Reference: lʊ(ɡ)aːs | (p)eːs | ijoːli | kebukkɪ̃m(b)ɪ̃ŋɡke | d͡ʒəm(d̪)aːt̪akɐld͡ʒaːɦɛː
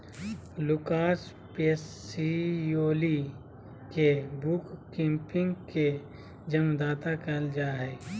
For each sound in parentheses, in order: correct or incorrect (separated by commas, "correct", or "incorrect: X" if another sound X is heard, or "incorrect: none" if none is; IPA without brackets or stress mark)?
incorrect: k, correct, incorrect: p, correct